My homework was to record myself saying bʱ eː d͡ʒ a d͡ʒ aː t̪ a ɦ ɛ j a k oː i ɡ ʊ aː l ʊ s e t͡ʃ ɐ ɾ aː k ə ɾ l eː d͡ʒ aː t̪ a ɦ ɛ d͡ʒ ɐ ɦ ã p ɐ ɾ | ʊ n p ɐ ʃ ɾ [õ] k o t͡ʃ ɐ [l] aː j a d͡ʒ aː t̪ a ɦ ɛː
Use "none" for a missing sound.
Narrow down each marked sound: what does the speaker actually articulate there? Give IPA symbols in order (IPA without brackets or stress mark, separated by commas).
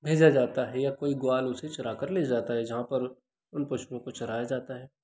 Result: õ, ɾ